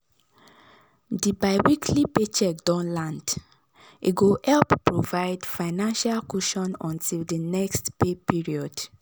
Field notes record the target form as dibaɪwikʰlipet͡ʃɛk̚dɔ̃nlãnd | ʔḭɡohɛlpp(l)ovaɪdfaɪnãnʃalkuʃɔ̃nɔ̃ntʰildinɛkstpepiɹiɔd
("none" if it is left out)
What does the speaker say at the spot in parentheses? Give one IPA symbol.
ɹ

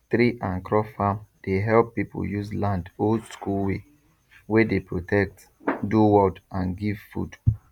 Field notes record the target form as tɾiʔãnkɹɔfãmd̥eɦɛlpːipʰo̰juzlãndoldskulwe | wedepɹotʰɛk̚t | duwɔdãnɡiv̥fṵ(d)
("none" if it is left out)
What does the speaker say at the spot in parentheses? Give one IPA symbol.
d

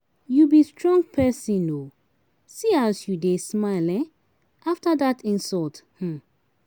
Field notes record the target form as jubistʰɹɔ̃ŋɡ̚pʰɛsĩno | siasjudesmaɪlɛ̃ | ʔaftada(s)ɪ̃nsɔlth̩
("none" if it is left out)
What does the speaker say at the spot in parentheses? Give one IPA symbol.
t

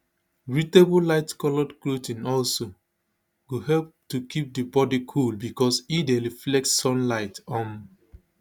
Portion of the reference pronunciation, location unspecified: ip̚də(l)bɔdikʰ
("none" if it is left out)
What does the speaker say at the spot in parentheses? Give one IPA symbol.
none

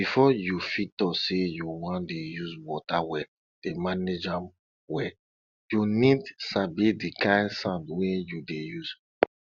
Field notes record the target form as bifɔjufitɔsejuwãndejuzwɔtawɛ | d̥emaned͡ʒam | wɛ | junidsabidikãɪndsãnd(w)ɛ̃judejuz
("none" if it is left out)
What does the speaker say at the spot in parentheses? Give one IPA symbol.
w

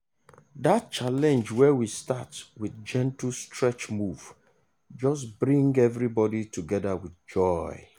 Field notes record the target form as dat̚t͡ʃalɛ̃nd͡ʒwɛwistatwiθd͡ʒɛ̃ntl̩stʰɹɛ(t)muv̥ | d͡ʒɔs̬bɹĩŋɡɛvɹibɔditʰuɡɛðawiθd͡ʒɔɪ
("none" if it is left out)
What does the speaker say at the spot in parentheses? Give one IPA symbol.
t͡ʃ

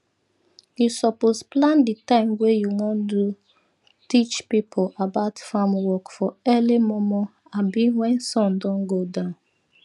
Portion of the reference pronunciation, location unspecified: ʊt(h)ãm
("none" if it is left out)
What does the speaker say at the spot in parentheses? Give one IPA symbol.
f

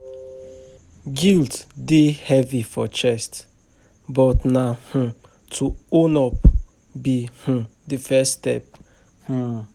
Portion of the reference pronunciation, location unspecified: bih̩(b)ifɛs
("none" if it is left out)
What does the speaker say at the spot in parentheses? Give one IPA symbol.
d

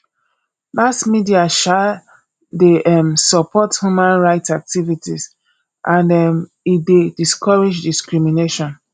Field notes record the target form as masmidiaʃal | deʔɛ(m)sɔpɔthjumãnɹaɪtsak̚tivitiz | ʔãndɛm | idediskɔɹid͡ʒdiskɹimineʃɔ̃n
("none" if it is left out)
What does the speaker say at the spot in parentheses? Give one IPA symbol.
m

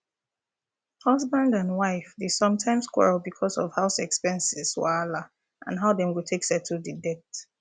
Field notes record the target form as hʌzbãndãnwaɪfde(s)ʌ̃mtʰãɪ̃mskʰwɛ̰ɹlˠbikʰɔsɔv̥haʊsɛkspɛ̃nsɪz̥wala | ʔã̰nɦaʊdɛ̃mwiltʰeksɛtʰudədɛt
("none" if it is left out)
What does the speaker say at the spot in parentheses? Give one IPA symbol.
s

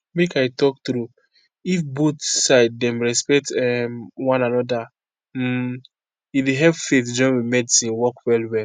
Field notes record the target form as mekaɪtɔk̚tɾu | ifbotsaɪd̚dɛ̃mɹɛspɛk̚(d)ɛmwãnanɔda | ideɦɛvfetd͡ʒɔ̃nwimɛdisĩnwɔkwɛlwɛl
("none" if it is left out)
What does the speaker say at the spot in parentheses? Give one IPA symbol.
t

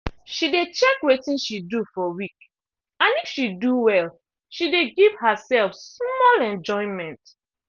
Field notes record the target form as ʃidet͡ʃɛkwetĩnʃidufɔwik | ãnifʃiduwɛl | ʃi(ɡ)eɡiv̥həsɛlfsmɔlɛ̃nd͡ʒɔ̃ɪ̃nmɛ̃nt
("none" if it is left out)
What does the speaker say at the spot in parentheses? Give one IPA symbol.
d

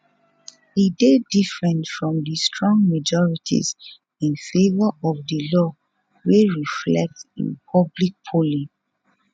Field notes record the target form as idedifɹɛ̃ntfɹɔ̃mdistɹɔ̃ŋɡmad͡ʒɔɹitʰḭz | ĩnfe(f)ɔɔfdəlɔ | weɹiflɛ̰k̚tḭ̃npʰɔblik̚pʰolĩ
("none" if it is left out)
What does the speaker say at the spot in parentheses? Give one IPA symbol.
v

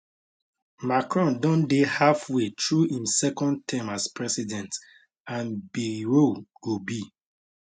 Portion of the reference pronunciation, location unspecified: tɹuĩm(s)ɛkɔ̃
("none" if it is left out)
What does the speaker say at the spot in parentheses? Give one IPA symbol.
s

